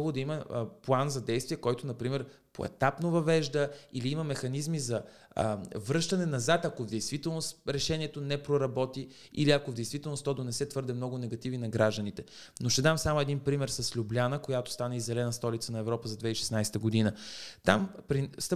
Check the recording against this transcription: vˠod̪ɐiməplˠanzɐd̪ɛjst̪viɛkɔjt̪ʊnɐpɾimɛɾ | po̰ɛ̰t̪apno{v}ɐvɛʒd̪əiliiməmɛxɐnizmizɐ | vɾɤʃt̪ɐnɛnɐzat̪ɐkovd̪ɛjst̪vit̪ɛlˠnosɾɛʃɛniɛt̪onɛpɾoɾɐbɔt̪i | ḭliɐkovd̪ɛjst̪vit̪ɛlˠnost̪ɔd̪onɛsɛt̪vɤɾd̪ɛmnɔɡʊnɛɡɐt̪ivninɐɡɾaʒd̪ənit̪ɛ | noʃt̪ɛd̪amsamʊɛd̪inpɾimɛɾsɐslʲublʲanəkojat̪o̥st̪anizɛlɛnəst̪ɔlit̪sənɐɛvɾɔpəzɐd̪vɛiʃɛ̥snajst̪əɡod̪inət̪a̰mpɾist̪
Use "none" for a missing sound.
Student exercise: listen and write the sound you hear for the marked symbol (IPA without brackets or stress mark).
v